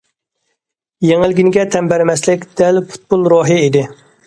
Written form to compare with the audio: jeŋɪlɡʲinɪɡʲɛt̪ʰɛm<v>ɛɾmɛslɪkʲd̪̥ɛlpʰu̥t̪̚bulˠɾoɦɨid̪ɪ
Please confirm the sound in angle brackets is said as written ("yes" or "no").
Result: no